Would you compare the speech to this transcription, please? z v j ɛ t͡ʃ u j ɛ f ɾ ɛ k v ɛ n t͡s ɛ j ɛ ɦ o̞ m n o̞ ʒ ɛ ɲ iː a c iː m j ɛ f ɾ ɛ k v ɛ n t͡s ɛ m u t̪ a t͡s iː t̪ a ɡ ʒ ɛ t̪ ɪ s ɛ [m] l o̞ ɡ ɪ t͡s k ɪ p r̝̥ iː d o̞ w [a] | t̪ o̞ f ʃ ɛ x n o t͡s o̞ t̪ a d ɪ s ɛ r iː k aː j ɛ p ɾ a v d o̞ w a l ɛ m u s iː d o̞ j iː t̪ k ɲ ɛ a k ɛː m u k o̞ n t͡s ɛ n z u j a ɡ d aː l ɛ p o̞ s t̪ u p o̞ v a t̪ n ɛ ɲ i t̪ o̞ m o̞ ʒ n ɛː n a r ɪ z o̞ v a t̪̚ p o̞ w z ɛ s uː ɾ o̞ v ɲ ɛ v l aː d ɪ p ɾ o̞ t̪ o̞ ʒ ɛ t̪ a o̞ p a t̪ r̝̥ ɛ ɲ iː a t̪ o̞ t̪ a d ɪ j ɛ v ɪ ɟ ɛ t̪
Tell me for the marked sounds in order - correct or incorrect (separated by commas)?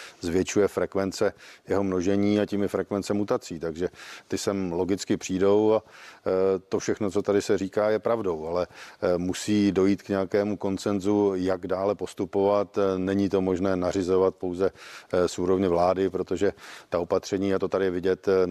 correct, correct